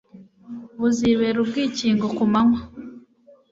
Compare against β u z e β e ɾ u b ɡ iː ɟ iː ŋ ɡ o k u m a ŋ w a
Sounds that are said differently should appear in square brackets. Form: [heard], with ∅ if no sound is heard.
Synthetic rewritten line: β u z [i] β e ɾ u b ɡ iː [c] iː ŋ ɡ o k u m a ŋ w a